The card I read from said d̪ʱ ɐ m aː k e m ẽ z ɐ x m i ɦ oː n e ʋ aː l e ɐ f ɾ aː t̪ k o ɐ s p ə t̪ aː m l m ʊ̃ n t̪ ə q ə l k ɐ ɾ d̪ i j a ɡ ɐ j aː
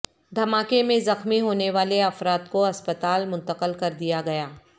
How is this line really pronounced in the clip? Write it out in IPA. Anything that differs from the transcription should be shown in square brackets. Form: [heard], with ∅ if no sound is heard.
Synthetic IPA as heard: d̪ʱ ɐ m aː k e m ẽ z ɐ x m i ɦ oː n e ʋ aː l e ɐ f ɾ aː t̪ k o ɐ s p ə t̪ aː [∅] l m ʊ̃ n t̪ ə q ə l k ɐ ɾ d̪ i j a ɡ ɐ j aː